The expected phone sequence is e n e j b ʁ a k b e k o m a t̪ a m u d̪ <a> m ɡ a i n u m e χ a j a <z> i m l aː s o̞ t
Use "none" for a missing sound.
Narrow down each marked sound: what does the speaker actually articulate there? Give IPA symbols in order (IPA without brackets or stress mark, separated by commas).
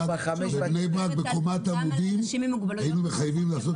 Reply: i, v